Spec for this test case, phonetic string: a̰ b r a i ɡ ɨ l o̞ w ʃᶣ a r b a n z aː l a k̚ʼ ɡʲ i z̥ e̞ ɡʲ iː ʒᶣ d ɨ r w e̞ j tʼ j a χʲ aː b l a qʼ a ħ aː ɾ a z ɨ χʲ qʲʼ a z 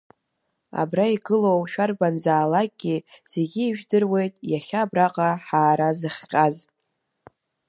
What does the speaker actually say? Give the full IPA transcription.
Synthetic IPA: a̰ b r a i ɡ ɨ l o̞ w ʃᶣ a r b a n z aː l a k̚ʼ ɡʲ i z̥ e̞ ɡʲ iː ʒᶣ d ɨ r w e̞ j tʼ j a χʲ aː b r a qʼ a ħ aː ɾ a z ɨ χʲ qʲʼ a z

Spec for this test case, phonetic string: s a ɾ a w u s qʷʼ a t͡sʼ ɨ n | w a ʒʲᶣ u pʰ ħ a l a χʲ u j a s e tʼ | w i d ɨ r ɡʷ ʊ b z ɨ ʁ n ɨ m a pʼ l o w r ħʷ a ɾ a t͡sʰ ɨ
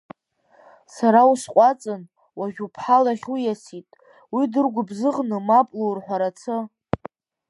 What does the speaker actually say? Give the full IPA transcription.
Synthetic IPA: s a ɾ a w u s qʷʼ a t͡sʼ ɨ n | w a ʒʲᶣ u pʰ ħ a l a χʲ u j a s i tʼ | w i d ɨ r ɡʷ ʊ b z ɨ ʁ n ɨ m a pʼ l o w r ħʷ a ɾ a t͡sʰ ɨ

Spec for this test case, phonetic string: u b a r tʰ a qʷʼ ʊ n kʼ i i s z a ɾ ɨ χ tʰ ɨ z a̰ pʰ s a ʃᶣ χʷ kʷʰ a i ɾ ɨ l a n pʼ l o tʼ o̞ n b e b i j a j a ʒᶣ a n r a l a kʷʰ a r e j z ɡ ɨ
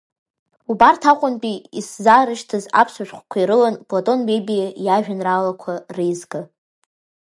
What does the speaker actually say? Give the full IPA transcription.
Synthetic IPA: u b a r tʰ a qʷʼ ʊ n pʼ i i s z a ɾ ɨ ʃ tʰ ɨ z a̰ pʰ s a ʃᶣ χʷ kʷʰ a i ɾ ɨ l a n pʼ l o tʼ o̞ n b e b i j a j a ʒᶣ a n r a l a kʷʰ a r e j z ɡ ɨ

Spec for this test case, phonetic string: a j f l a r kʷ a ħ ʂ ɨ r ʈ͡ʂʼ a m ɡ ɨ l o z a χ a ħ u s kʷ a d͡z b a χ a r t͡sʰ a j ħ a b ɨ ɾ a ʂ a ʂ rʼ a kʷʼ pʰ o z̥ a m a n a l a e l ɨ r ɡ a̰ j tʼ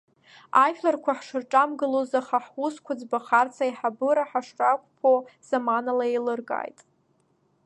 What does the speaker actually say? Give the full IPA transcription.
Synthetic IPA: a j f l a r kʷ a ħ ʂ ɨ r ʈ͡ʂʼ a m ɡ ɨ l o z a χ a ħ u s kʷ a d͡z b a χ a r t͡sʰ a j ħ a b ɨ ɾ a ħ a ʂ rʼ a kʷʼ pʰ o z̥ a m a n a l a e l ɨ r ɡ a̰ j tʼ

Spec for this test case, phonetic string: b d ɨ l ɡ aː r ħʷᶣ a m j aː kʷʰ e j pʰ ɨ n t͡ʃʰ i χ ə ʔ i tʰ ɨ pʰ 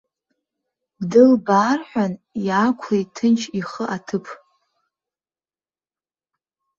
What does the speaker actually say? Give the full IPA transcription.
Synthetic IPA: b d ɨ l b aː r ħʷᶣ a n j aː kʷʰ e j tʰ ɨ n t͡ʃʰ i χ ə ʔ a tʰ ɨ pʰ

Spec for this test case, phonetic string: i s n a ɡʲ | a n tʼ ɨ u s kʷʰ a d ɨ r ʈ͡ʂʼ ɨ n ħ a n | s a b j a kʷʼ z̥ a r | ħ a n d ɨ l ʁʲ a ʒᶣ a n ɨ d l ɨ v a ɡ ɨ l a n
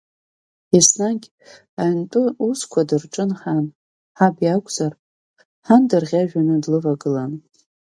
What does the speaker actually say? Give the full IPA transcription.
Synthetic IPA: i s n a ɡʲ | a n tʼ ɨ u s kʷʰ a d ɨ r ʈ͡ʂʼ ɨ n ħ a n | ħ a b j a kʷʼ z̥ a r | ħ a n d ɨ r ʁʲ a ʒᶣ a n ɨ d l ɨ v a ɡ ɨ l a n

